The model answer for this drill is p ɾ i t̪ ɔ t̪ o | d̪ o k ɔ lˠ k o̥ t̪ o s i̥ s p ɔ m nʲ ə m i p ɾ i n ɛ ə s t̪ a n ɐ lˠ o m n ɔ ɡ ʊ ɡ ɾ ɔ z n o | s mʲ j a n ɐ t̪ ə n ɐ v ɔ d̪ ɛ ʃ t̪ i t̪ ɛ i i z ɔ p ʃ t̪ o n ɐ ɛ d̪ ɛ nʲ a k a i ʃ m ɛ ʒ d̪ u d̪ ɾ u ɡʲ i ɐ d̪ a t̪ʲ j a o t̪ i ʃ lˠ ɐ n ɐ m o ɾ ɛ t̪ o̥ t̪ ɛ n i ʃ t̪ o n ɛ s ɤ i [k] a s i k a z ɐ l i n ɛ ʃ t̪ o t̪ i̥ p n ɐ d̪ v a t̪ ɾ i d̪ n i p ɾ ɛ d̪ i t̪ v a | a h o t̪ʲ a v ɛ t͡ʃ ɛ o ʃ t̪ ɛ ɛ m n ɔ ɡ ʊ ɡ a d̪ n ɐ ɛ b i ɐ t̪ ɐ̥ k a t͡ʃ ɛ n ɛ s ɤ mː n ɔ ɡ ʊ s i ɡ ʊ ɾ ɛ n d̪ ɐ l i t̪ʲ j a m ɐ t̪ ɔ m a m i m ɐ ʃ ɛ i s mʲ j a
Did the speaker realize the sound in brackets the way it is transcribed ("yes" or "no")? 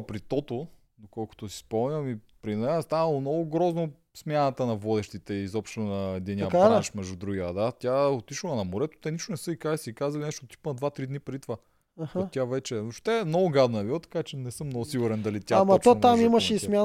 yes